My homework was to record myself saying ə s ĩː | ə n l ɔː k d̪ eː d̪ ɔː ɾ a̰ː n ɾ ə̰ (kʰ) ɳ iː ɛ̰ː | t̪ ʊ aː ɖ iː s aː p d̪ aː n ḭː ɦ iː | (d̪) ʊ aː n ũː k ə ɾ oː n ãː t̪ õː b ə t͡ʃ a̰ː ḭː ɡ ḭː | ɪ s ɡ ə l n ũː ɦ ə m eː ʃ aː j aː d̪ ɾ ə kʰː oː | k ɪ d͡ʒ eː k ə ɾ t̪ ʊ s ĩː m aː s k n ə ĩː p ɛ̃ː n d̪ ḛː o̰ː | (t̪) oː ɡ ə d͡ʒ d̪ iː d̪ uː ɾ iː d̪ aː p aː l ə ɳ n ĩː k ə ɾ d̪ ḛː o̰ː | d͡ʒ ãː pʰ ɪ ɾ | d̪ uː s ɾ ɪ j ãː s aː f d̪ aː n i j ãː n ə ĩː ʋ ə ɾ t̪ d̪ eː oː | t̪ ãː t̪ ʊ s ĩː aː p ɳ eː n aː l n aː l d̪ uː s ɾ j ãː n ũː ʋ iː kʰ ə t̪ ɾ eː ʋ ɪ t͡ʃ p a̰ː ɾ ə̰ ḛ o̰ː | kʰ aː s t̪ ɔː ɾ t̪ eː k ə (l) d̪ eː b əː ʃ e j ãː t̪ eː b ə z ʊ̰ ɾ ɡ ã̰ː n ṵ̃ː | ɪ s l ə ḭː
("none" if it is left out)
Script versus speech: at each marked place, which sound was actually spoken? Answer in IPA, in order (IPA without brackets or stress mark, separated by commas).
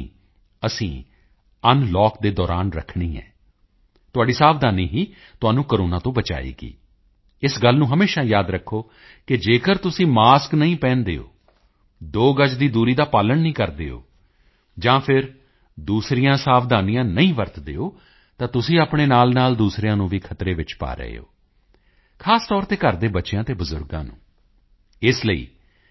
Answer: kʰ, t̪, d̪, ɾ